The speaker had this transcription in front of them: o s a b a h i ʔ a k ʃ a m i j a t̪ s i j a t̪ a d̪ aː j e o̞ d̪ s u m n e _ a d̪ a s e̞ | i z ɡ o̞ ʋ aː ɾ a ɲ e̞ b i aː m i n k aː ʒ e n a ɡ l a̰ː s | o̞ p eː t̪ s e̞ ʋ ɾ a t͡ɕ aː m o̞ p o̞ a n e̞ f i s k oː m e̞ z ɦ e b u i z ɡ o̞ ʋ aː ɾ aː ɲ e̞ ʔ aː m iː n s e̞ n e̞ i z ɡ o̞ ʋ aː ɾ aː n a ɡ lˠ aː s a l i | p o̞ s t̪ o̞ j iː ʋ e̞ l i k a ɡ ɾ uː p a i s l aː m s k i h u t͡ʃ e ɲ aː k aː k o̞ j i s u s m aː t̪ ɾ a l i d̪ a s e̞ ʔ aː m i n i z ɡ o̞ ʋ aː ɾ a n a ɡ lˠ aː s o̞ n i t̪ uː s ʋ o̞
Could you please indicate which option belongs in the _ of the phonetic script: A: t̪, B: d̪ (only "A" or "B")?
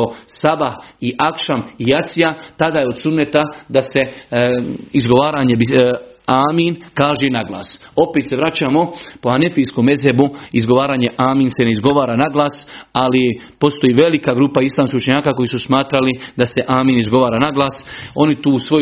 A